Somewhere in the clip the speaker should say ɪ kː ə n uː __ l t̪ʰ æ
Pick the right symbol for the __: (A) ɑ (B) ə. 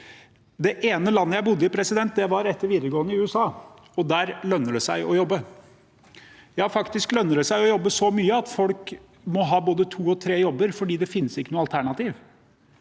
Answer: A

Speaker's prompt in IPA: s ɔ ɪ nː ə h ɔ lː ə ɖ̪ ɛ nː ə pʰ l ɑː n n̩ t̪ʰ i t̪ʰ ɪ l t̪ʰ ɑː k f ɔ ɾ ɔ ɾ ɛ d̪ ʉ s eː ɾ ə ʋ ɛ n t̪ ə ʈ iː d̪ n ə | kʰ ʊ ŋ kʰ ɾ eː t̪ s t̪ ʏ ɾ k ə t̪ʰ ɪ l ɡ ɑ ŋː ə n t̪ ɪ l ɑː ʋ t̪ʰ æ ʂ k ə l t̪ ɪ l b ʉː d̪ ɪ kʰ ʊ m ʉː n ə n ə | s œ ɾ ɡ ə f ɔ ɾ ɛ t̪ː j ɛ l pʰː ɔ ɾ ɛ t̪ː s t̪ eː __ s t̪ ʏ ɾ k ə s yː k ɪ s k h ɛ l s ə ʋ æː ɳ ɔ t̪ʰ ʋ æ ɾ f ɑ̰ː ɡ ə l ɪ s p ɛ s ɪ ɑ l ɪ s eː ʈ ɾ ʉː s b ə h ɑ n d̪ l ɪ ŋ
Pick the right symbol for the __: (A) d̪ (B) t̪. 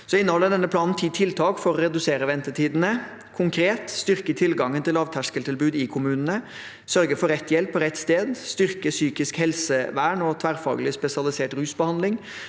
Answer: A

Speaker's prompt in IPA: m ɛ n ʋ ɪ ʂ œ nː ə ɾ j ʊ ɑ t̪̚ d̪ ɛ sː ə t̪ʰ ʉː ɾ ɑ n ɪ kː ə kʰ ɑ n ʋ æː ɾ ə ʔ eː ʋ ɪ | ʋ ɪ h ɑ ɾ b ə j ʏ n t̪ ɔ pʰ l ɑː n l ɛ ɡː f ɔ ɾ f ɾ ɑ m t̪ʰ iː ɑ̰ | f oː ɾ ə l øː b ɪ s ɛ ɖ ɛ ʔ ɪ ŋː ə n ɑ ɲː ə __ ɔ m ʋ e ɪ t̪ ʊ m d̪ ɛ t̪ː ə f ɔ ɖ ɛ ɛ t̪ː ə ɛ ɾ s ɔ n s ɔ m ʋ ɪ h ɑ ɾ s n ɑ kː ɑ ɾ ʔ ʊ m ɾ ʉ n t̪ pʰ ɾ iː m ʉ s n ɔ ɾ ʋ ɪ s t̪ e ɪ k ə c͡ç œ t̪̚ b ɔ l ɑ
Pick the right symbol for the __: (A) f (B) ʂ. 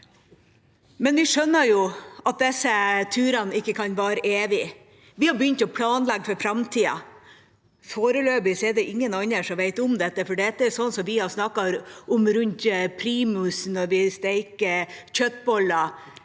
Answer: B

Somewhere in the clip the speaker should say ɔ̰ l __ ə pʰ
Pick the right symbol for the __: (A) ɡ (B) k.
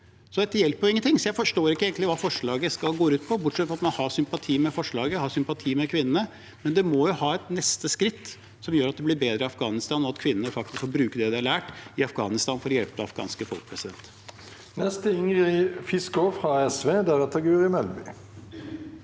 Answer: B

